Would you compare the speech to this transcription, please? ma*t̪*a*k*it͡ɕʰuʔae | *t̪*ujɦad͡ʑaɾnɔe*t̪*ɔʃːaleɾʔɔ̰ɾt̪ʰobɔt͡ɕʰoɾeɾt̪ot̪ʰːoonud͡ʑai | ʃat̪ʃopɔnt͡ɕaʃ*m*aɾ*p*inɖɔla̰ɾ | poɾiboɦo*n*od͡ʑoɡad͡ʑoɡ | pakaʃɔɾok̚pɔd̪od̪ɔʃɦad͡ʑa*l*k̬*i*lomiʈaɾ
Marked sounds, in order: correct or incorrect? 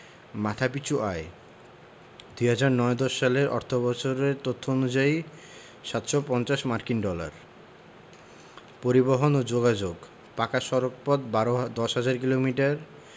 incorrect: t̪ʰ, incorrect: p, incorrect: d̪, incorrect: d̪, correct, incorrect: k, correct, incorrect: ɾ, correct

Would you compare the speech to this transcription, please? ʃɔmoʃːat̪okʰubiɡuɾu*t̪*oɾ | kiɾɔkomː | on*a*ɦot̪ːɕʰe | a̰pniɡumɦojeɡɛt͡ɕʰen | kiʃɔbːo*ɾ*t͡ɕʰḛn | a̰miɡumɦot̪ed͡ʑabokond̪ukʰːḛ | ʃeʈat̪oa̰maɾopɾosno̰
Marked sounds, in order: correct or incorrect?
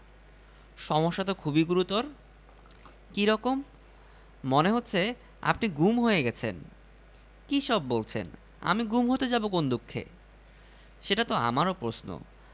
correct, incorrect: e, incorrect: l

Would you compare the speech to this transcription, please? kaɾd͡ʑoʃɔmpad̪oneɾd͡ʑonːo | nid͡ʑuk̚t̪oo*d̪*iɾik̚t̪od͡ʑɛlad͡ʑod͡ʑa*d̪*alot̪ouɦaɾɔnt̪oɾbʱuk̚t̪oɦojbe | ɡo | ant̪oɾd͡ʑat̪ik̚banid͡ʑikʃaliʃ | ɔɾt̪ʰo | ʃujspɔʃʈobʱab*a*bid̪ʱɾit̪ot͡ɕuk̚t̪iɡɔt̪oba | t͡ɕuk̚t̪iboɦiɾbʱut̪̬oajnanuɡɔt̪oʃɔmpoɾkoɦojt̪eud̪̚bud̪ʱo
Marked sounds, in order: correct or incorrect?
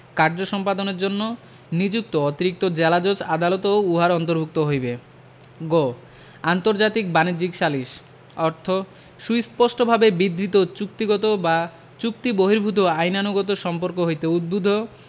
incorrect: t̪, correct, incorrect: e

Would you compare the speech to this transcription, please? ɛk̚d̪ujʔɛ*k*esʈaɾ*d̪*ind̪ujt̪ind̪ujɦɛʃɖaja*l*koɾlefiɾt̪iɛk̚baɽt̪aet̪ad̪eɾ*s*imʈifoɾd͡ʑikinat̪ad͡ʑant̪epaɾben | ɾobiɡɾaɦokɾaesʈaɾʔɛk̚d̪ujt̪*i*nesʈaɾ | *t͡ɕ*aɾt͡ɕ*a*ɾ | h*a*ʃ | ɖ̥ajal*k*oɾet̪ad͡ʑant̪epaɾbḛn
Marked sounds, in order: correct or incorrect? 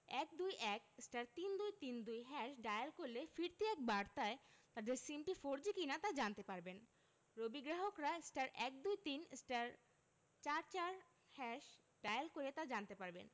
correct, incorrect: t̪, correct, correct, correct, correct, correct, incorrect: ɛ, correct

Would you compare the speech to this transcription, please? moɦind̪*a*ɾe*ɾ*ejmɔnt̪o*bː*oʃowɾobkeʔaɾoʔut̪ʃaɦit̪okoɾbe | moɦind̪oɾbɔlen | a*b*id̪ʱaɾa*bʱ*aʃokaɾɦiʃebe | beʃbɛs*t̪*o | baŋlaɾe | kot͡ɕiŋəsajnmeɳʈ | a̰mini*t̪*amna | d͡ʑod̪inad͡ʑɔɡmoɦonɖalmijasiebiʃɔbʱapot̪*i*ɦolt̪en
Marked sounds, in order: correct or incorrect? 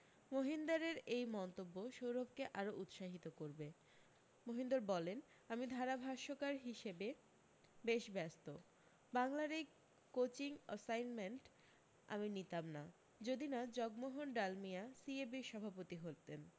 correct, correct, correct, incorrect: m, correct, correct, correct, correct

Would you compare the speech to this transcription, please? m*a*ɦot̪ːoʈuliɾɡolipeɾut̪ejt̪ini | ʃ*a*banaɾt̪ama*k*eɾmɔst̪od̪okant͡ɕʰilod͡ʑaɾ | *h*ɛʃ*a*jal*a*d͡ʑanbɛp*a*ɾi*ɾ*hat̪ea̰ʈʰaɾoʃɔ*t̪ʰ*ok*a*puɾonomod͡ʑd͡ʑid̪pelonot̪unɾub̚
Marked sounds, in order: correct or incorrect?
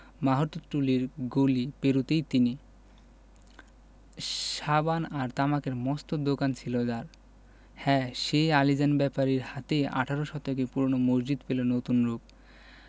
correct, correct, correct, correct, incorrect: e, incorrect: i, correct, correct, incorrect: t̪, incorrect: e

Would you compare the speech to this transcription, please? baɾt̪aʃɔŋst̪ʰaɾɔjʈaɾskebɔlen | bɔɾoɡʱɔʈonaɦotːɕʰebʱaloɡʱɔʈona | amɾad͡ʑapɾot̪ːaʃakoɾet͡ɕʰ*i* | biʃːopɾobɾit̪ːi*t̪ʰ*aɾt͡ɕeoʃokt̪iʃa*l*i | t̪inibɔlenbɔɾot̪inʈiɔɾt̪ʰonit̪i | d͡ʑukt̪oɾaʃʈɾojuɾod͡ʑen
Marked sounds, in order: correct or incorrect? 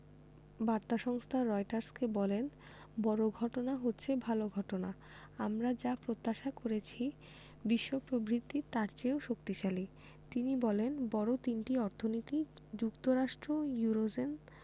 correct, incorrect: t̪, correct

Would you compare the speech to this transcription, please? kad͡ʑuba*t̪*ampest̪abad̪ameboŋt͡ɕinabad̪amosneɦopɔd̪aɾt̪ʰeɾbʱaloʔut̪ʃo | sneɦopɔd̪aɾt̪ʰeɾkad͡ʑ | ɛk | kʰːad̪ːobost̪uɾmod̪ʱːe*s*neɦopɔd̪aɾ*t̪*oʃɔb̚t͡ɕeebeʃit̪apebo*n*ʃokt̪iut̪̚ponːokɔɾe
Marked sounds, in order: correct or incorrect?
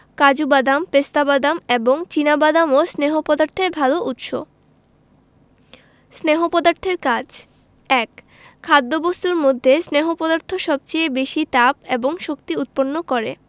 incorrect: d̪, correct, incorrect: t̪ʰ, incorrect: ŋ

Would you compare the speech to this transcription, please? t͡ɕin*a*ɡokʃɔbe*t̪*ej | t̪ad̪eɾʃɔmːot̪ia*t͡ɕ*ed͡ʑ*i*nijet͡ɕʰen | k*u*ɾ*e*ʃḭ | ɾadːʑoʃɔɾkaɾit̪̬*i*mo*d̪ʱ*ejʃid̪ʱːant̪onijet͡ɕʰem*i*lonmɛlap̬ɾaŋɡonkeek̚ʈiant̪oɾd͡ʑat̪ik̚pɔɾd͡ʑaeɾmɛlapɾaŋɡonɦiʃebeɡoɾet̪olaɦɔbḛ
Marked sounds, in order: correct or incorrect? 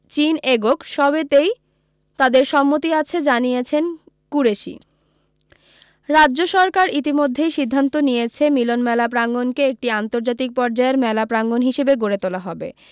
incorrect: e, correct, incorrect: t͡ɕʰ, incorrect: a, correct, correct, correct, incorrect: d̪ʱː, correct

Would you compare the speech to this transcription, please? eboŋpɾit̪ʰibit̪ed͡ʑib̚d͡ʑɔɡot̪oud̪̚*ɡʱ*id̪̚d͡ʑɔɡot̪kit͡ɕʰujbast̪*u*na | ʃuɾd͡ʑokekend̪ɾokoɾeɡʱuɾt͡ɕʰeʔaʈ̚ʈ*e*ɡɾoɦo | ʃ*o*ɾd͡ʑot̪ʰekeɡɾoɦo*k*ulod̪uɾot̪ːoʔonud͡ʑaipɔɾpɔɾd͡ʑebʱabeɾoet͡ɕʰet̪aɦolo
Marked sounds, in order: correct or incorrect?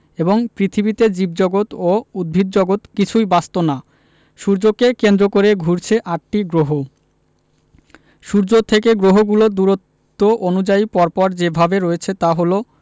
incorrect: bʱ, incorrect: o, incorrect: i, incorrect: u, incorrect: ɡ

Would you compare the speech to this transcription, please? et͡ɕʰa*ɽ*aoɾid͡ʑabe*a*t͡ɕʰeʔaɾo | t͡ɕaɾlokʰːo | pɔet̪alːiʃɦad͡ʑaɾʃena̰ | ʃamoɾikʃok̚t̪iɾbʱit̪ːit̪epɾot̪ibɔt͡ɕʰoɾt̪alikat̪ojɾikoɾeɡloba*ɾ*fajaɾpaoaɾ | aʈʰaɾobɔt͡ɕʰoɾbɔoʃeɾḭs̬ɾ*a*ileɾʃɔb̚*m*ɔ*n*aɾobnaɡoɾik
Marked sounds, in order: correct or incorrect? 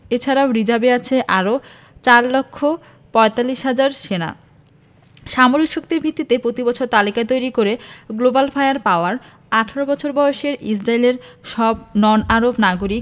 incorrect: ɾ, correct, incorrect: l, correct, incorrect: n, correct

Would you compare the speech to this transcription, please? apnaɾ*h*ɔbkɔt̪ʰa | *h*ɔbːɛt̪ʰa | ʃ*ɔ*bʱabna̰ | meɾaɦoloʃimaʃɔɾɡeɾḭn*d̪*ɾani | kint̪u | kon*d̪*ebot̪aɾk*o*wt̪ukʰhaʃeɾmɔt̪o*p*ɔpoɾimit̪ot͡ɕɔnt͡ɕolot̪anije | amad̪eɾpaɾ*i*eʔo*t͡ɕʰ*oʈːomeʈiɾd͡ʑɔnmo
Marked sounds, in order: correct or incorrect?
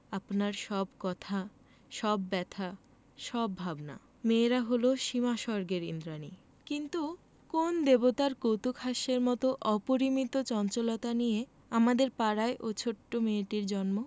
incorrect: ʃ, incorrect: ʃ, correct, correct, correct, correct, incorrect: ʔ, incorrect: a, correct

